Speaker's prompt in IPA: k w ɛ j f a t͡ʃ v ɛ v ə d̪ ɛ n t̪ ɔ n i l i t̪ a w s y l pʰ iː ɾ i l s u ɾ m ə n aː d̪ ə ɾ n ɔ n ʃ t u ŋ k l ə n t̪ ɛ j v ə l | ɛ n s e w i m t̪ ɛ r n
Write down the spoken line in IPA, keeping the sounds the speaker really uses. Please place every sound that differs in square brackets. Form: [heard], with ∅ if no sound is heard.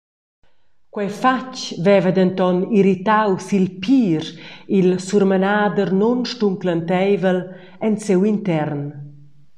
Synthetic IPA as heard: k w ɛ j f a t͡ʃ v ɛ v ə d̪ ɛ n t̪ ɔ n i [ɾ] i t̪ a w s [i] l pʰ iː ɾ i l s u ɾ m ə n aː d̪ ə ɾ n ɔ n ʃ t u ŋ k l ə n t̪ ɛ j v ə l | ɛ n s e w i [n] t̪ ɛ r n

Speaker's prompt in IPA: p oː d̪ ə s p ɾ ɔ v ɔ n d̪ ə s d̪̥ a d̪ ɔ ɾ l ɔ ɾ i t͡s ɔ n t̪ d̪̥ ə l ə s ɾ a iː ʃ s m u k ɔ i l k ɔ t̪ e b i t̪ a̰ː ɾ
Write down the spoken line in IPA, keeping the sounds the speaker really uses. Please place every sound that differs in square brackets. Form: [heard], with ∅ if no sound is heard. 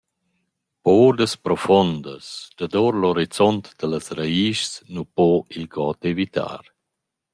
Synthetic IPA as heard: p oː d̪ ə s p ɾ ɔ [f] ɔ n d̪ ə s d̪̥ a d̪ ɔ ɾ l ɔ ɾ i t͡s ɔ n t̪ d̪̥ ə l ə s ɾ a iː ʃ s [n] u [p] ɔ i l [ɡ] ɔ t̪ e [v] i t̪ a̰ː ɾ

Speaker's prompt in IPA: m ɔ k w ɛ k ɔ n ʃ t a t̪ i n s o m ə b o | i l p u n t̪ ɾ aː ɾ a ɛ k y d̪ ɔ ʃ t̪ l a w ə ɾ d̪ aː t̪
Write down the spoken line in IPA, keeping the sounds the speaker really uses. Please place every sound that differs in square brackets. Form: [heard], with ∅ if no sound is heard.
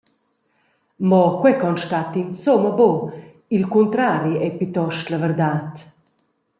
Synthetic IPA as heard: m ɔ k w ɛ k ɔ n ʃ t a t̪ i n s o m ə b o | i l [k] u n t̪ ɾ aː ɾ [i] ɛ [p] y [t̪] ɔ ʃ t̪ l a [v] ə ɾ d̪ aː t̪

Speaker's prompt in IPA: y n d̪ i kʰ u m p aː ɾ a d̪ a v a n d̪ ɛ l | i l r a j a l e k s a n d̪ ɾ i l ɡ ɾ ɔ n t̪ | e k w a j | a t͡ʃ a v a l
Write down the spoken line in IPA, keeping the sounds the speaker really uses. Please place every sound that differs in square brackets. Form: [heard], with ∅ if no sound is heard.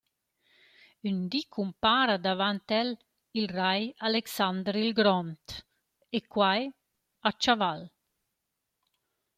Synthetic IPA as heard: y n d̪ i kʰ u m p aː ɾ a d̪ a v a n [t̪] ɛ l | i l r a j a l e k s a n d̪ ɾ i l ɡ ɾ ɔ n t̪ | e k w a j | a t͡ʃ a v a l

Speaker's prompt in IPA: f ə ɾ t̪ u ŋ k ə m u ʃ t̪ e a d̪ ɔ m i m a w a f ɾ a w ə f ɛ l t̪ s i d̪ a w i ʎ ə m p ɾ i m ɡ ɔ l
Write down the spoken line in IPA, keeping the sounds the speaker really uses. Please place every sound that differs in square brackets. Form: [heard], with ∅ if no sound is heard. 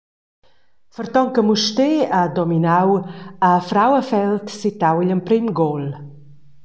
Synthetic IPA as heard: f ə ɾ t̪ [ɔ] ŋ k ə m u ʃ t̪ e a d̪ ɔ m i [n] a w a f ɾ a w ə f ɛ l t̪ s i [t̪] a w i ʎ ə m p ɾ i m ɡ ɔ l

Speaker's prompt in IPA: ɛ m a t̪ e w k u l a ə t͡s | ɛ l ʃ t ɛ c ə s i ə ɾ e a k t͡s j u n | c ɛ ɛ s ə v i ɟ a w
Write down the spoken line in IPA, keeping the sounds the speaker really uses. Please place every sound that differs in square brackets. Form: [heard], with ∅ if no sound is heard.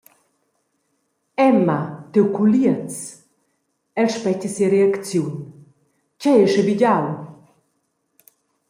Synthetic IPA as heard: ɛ m a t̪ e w k u l [i] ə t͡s | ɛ l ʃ [p] ɛ c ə s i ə ɾ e a k t͡s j u n | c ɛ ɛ [ʃ] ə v i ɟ a w

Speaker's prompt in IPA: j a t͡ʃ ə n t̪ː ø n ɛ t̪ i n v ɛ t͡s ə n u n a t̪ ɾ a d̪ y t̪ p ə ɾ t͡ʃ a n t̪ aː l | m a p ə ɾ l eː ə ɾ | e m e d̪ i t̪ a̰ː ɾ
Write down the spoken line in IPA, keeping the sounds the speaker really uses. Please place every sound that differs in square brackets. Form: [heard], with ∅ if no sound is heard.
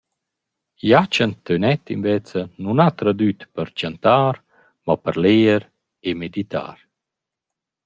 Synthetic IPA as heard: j a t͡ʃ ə n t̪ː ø n ɛ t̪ i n v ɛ t͡s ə n u n a t̪ ɾ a d̪ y t̪ p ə ɾ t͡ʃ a n t̪ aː [ɾ] | m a p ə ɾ l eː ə ɾ | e m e d̪ i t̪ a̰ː ɾ

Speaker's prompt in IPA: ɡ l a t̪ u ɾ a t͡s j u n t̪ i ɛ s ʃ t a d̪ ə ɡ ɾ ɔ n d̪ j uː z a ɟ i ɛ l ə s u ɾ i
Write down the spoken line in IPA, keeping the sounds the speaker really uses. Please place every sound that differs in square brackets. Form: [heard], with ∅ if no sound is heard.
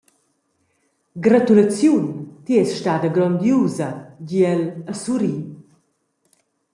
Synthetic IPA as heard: ɡ [ɾ] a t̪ u [l] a t͡s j u n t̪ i ɛ s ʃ t a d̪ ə ɡ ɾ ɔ n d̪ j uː z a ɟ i ɛ l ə s u ɾ i

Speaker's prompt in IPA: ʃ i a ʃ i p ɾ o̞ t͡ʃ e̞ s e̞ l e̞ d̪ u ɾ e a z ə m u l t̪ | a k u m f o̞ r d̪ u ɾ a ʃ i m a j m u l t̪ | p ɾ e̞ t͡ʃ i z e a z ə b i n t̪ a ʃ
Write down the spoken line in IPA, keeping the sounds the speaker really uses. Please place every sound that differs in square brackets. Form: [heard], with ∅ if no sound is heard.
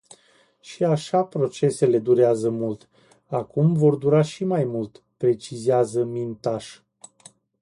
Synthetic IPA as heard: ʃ i a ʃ [a] p ɾ o̞ t͡ʃ e̞ s e̞ l e̞ d̪ u ɾ e a z ə m u l t̪ | a k u m [v] o̞ r d̪ u ɾ a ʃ i m a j m u l t̪ | p ɾ e̞ t͡ʃ i z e a z ə [m] i n t̪ a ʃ

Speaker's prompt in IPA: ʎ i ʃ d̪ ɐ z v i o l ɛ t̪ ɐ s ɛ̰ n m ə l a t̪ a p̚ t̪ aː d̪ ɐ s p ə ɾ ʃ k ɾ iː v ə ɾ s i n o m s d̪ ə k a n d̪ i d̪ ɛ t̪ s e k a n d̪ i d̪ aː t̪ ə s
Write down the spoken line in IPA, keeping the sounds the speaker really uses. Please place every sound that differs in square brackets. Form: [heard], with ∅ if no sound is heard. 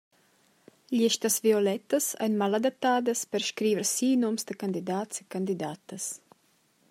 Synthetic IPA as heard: ʎ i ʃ [t̪] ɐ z v i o l ɛ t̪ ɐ s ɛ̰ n m [a] l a [d̪] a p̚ t̪ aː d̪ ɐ s p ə ɾ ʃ k ɾ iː v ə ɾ s i n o m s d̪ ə k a n d̪ i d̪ [a] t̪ s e k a n d̪ i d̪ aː t̪ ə s

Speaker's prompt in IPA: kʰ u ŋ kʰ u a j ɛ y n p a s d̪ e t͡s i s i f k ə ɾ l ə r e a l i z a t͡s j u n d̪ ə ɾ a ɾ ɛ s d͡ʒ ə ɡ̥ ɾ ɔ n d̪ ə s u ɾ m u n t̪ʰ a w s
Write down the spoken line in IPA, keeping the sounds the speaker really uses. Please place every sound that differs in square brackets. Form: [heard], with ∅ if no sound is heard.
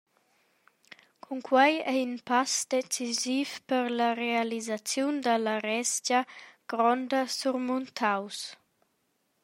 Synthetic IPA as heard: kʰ u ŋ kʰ [w] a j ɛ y n p a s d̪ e t͡s i [z] i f [p] ə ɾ l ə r e a l i z a t͡s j u n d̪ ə [l] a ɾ ɛ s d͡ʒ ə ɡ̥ ɾ ɔ n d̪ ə s u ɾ m u n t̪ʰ a w s

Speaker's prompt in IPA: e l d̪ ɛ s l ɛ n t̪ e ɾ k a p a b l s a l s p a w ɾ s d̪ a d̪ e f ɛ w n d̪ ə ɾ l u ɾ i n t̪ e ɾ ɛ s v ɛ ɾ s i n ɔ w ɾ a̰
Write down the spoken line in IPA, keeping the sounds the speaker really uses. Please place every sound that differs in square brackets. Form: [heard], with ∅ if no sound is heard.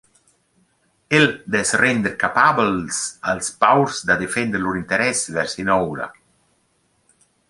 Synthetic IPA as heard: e l d̪ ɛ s [r] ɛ n [d̪] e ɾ k a p a b l s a l s p a w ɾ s d̪ a d̪ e f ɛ [∅] n d̪ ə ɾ l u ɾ i n t̪ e ɾ ɛ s v ɛ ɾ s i n ɔ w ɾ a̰

